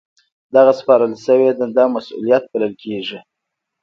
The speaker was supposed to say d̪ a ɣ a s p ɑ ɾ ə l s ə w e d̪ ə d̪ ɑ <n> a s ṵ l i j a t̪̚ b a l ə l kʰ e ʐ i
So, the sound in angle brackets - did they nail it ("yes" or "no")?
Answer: no